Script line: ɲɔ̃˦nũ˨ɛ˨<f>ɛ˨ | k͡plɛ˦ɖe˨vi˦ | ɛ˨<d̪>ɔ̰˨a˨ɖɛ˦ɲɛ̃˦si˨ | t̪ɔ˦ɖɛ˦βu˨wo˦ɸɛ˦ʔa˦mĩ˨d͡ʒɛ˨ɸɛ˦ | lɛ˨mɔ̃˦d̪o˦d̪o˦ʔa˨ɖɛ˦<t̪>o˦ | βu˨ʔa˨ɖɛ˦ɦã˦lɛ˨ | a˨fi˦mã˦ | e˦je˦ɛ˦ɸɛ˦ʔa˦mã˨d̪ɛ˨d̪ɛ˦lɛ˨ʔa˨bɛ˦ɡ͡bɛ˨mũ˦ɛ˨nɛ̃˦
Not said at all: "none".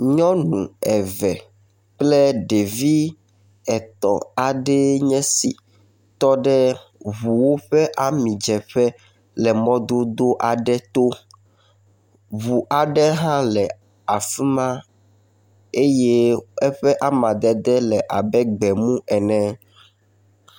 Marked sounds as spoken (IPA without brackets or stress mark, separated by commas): v, t̪, t̪